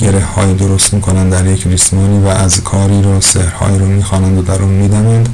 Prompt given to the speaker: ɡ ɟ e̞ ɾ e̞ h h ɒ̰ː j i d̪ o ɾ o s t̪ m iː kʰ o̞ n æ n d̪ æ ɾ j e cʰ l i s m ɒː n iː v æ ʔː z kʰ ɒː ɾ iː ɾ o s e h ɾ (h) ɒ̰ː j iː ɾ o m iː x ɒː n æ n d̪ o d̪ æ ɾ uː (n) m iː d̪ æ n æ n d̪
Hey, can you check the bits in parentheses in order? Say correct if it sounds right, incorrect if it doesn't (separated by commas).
correct, correct